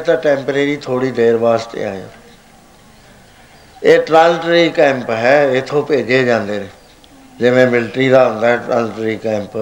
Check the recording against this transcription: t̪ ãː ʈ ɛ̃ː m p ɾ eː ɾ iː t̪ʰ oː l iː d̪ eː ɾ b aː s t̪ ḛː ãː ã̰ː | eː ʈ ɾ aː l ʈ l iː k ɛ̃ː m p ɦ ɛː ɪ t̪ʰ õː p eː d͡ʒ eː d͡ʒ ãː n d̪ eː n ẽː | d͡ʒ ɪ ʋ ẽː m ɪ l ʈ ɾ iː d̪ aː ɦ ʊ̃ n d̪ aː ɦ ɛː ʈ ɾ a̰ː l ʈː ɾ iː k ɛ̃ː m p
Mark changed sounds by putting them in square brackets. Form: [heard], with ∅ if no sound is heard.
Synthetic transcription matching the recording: t̪ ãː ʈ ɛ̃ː m p ɾ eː ɾ iː t̪ʰ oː [ɽ] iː d̪ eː ɾ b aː s t̪ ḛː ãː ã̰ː | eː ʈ ɾ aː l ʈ [ɾ] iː k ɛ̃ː m p ɦ ɛː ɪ t̪ʰ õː p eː d͡ʒ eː d͡ʒ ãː n d̪ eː n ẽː | d͡ʒ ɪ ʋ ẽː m ɪ l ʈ ɾ iː d̪ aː ɦ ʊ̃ n d̪ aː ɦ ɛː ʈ ɾ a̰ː l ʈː ɾ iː k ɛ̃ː m p